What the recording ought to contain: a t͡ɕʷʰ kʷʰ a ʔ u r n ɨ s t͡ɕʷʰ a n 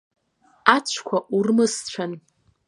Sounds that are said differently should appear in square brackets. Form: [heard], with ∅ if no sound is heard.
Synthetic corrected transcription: a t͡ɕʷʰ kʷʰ a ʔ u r [m] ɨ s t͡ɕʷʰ a n